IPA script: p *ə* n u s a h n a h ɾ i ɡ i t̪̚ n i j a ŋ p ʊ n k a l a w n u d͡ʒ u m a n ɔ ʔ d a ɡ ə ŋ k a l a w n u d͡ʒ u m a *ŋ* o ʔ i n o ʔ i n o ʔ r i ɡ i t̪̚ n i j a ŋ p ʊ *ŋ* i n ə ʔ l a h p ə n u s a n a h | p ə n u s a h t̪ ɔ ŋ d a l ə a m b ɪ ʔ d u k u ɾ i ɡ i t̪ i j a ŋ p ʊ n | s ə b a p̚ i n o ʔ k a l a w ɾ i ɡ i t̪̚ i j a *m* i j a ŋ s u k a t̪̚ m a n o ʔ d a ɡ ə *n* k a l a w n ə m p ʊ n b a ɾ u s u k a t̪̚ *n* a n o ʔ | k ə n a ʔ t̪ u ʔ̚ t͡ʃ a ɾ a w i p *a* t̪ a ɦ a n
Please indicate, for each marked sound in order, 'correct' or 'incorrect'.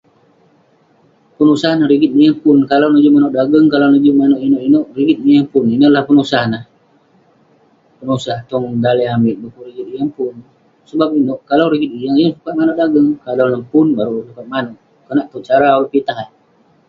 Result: correct, incorrect: n, incorrect: n, incorrect: ŋ, incorrect: ŋ, incorrect: m, incorrect: i

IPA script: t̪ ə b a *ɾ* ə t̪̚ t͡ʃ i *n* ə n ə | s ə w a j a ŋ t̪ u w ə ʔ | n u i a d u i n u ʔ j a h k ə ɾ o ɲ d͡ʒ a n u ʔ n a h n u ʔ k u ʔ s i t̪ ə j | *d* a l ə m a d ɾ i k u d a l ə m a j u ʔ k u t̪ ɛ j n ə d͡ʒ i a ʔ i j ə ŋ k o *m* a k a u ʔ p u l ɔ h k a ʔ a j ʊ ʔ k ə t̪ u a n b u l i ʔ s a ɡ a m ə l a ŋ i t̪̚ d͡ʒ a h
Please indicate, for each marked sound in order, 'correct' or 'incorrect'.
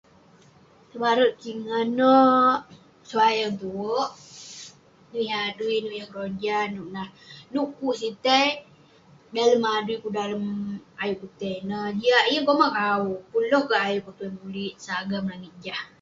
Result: correct, incorrect: ŋ, correct, correct

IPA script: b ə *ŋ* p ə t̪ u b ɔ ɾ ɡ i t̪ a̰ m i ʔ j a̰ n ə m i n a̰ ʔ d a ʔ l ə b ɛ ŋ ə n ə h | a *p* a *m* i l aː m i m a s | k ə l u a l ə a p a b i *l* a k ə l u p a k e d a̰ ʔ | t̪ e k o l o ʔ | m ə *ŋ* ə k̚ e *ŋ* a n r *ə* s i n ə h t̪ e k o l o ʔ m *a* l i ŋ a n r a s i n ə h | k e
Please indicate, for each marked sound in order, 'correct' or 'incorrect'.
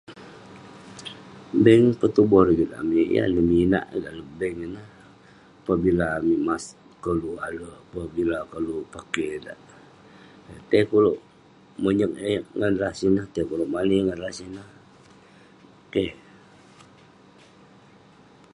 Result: correct, correct, incorrect: b, correct, incorrect: ɲ, correct, incorrect: a, correct

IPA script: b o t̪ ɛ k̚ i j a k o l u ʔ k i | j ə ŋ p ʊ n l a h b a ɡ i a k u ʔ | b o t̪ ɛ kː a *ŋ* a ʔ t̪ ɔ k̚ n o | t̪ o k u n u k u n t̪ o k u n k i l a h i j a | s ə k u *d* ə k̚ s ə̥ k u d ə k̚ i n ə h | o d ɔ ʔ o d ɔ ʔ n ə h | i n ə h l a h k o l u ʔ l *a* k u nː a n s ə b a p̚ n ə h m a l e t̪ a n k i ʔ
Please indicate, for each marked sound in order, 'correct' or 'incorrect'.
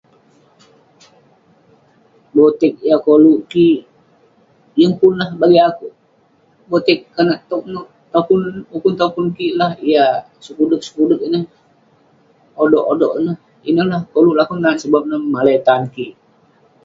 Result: incorrect: n, correct, correct

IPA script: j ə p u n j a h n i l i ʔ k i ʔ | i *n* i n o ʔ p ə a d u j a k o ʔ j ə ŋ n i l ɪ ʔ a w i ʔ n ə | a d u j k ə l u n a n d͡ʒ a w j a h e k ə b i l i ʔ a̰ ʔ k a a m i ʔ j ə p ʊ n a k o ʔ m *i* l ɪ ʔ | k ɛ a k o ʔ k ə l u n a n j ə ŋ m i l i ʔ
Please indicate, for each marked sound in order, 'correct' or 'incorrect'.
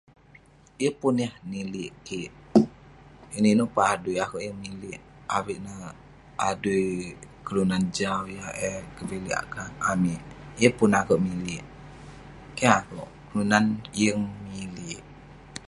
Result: correct, correct

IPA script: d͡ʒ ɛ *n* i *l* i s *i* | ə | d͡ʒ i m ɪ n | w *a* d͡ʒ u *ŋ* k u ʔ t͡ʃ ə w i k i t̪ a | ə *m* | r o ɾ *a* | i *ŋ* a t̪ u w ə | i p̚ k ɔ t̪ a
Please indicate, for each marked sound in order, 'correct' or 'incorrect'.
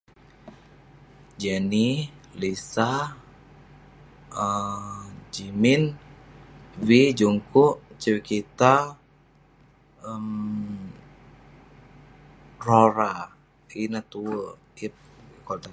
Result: correct, correct, incorrect: a, incorrect: i, correct, correct, correct, incorrect: n

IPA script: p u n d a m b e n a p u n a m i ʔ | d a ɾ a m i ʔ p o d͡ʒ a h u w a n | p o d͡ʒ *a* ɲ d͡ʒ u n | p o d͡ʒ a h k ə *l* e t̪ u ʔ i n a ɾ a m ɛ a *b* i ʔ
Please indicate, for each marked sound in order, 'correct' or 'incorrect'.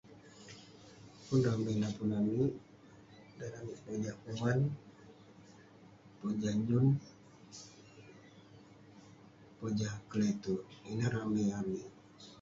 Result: correct, correct, incorrect: m

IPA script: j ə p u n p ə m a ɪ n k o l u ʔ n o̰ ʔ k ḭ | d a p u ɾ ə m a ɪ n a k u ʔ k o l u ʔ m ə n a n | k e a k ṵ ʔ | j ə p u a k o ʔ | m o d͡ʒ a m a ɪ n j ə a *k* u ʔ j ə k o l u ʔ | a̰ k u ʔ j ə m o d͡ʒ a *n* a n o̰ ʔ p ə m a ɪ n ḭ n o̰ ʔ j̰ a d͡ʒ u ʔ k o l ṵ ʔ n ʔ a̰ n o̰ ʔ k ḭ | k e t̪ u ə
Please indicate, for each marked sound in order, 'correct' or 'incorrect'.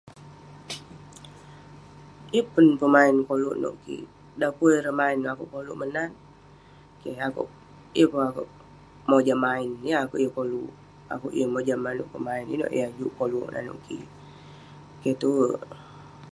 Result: correct, incorrect: m

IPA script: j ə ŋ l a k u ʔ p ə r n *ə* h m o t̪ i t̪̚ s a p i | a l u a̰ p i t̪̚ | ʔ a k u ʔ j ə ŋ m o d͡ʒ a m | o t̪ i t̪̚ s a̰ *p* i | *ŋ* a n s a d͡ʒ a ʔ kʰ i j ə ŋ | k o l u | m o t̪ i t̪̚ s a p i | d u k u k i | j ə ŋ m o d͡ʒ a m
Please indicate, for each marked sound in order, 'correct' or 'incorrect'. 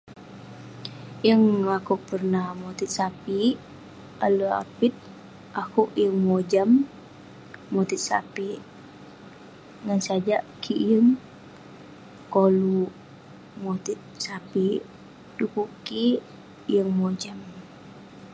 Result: incorrect: a, correct, correct

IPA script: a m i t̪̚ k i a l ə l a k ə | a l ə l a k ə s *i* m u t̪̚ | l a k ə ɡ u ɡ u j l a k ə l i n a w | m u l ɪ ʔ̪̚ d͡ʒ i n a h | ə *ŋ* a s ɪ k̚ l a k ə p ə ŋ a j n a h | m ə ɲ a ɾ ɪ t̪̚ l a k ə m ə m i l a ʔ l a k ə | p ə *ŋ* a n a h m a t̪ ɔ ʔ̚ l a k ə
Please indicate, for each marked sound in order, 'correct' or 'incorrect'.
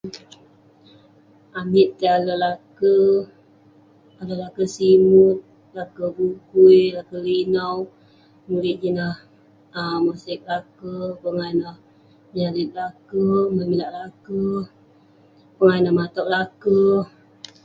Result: correct, incorrect: m, correct

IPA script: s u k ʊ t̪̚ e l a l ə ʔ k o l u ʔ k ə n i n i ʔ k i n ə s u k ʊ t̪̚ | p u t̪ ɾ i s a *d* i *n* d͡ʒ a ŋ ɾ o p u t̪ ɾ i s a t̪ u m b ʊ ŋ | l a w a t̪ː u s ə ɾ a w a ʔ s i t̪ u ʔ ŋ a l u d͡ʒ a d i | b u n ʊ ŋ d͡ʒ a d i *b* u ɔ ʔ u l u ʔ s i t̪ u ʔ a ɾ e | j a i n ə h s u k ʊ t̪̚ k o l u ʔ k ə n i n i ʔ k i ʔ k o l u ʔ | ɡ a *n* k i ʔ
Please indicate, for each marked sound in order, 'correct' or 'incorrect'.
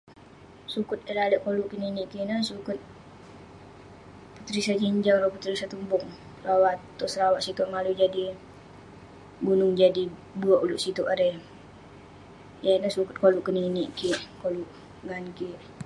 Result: incorrect: d͡ʒ, incorrect: ɲ, correct, correct

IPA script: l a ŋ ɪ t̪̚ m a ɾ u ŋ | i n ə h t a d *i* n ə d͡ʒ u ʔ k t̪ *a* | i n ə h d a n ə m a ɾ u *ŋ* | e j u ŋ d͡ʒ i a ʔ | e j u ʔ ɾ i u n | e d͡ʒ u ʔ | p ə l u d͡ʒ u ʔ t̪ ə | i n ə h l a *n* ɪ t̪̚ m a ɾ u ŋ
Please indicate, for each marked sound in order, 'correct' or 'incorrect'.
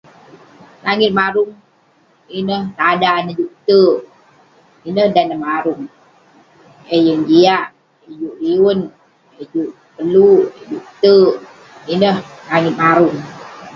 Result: incorrect: a, incorrect: ə, correct, incorrect: ŋ

